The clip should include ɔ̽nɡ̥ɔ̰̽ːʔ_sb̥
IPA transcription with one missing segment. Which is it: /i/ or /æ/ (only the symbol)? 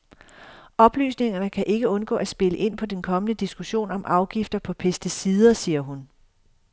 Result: æ